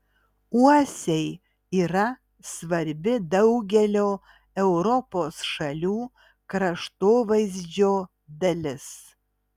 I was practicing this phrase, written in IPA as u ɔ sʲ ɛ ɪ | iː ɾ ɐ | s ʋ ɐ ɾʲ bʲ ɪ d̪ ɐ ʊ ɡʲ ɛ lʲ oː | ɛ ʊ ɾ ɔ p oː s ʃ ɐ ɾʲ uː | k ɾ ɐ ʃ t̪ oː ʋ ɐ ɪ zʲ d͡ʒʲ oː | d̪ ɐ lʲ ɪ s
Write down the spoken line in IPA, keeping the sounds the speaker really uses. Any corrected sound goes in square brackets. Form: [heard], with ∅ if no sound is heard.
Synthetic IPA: u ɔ sʲ ɛ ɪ | iː ɾ ɐ | s ʋ ɐ ɾʲ bʲ ɪ d̪ ɐ ʊ ɡʲ ɛ lʲ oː | ɛ ʊ ɾ ɔ p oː s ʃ ɐ [lʲ] uː | k ɾ ɐ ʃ t̪ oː ʋ ɐ ɪ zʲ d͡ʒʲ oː | d̪ ɐ lʲ ɪ s

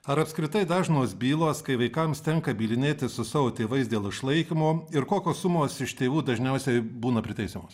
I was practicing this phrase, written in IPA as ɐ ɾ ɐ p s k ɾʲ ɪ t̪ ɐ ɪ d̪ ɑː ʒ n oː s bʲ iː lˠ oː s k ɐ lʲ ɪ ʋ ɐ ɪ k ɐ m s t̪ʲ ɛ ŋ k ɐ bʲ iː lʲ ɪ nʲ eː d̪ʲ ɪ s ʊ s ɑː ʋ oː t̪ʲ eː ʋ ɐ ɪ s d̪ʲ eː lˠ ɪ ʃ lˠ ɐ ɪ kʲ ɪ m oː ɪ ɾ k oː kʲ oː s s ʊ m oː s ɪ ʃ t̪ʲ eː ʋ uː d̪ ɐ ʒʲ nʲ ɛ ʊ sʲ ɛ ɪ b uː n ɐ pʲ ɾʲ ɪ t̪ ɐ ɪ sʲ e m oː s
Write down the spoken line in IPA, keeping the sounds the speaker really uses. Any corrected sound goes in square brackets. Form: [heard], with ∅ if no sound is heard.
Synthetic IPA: ɐ ɾ ɐ p s k ɾʲ ɪ t̪ ɐ ɪ d̪ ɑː ʒ n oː s bʲ iː lˠ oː s k ɐ [∅] ɪ ʋ ɐ ɪ k ɐ m s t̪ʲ ɛ ŋ k ɐ bʲ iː lʲ ɪ nʲ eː [t̪ʲ] ɪ s ʊ s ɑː ʋ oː t̪ʲ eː ʋ ɐ ɪ s d̪ʲ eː lˠ ɪ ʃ lˠ ɐ ɪ kʲ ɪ m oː ɪ ɾ k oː kʲ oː s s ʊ m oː s ɪ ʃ t̪ʲ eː ʋ uː d̪ ɐ ʒʲ nʲ ɛ ʊ sʲ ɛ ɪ b uː n ɐ pʲ ɾʲ ɪ t̪ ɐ ɪ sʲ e m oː s

